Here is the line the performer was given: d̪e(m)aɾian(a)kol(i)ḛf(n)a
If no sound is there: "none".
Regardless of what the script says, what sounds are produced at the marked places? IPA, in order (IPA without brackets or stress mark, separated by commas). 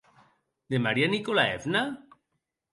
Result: m, i, a, n